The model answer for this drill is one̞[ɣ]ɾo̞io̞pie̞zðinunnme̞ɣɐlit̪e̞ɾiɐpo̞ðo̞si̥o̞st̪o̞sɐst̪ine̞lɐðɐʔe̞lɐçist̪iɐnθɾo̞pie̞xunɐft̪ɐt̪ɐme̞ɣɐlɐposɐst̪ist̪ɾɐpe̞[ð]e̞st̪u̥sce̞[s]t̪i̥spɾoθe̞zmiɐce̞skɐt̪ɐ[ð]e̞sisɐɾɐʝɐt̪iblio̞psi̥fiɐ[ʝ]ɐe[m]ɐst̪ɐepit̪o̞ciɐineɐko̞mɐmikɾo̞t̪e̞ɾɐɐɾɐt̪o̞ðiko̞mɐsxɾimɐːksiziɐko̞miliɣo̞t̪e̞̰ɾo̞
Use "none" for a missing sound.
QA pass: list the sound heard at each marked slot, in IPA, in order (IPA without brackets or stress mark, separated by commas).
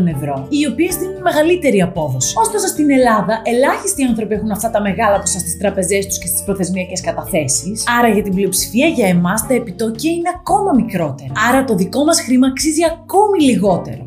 v, z, s, θ, ʝ, m